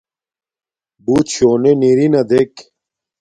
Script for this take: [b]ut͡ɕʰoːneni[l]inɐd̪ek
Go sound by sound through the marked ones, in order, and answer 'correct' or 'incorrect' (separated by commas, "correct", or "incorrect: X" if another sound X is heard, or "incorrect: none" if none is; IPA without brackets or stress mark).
correct, incorrect: ɾ